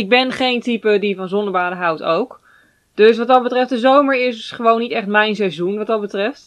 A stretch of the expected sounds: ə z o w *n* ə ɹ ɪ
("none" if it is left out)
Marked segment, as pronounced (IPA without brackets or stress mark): m